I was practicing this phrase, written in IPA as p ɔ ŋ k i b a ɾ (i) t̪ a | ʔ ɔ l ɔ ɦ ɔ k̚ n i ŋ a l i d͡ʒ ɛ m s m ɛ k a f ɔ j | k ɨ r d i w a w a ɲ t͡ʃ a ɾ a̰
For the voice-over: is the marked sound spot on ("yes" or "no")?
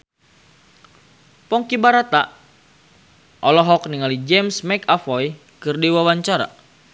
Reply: no